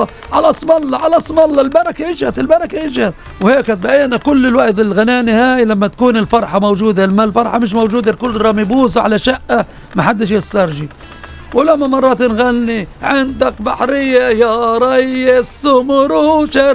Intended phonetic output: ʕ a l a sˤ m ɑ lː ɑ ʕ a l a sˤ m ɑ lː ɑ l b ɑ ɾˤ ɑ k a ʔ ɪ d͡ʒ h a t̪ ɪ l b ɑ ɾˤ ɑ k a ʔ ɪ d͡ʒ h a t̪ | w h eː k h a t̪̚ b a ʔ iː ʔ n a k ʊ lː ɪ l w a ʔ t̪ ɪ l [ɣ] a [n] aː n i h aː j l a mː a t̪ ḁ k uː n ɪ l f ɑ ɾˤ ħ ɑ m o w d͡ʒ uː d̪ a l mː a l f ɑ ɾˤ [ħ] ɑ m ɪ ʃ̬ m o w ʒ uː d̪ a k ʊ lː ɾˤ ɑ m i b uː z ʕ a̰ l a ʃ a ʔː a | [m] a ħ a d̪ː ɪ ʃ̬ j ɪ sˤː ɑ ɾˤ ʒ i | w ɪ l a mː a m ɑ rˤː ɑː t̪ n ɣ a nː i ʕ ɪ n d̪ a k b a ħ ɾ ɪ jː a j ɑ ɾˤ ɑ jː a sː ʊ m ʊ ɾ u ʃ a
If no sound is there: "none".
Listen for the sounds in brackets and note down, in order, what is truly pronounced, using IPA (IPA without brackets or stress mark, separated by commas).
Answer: ɣ, n, ħ, m